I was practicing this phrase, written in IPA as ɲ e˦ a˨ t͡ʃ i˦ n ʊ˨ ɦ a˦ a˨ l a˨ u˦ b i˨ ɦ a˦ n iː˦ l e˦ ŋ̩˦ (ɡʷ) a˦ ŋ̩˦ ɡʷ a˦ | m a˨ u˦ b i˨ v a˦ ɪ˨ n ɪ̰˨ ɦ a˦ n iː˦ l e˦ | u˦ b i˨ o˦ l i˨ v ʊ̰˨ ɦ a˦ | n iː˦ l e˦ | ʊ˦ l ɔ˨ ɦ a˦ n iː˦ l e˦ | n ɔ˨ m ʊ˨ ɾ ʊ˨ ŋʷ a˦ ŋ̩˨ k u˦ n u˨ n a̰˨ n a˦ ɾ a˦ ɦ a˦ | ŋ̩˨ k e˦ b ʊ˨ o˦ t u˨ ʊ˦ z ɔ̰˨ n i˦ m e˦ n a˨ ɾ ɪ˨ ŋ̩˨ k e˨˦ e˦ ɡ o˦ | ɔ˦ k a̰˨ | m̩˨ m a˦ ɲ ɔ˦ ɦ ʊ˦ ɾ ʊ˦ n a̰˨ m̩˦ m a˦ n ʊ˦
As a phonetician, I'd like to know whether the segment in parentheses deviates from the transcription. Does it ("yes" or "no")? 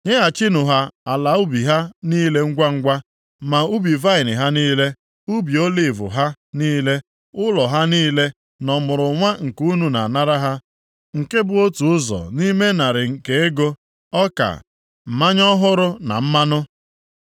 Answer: no